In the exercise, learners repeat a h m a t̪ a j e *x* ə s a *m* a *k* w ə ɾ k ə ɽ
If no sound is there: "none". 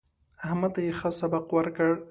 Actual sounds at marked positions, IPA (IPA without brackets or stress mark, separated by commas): x, b, q